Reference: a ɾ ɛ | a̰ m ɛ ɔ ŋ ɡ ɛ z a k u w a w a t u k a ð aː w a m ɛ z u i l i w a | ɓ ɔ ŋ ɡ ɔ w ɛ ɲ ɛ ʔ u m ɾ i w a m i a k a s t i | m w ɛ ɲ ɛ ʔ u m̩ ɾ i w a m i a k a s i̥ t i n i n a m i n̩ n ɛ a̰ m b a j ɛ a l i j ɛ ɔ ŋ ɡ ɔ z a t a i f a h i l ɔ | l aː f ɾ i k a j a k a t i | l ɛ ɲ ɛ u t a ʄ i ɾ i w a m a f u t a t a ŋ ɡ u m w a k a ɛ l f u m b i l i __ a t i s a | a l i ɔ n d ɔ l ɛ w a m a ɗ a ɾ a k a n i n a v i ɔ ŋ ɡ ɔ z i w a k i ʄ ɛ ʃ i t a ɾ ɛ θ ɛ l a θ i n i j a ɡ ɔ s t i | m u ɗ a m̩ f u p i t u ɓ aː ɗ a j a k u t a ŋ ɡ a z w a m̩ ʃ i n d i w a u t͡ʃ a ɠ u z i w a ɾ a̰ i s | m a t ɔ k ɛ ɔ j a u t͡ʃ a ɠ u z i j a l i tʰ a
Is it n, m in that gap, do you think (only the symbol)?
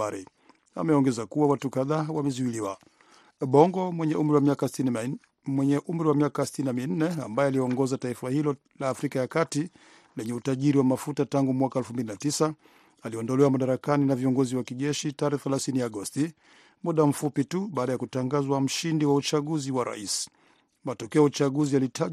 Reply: n